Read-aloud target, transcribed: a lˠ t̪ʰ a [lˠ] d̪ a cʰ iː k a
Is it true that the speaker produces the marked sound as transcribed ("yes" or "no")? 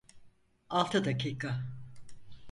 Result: no